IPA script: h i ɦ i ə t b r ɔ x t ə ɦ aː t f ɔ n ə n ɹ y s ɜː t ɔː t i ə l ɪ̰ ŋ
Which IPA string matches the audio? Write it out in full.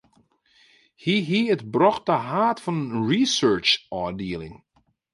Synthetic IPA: h i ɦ i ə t b r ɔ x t ə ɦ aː t f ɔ n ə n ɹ i s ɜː t͡ʃ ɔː d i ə l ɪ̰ ŋ